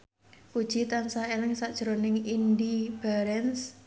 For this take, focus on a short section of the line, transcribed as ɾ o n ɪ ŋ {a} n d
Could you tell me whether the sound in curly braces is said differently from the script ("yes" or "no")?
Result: yes